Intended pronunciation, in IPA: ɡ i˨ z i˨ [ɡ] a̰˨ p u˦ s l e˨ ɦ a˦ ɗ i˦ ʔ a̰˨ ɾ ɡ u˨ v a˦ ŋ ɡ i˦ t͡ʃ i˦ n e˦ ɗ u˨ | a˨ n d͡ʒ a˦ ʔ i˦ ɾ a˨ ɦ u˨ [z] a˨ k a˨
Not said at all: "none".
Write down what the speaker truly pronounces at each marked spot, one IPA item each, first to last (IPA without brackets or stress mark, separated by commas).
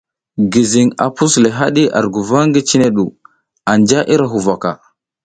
ŋ, v